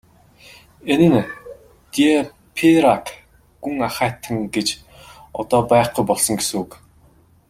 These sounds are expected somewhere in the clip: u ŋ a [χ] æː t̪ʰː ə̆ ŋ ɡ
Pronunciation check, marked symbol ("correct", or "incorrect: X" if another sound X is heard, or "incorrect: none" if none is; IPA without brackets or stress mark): correct